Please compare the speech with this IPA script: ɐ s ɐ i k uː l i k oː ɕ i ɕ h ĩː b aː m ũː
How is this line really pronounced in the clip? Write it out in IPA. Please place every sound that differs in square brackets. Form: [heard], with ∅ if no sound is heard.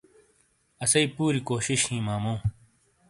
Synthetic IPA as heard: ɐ s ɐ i [p] uː [ɾ] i k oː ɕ i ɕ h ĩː [m] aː m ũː